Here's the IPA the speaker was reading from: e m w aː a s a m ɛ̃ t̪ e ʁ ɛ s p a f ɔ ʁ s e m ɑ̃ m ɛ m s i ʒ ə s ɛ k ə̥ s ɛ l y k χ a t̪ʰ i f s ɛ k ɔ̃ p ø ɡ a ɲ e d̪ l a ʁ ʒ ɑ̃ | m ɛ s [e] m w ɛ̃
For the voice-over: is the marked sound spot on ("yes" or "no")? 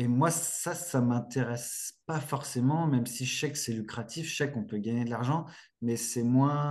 no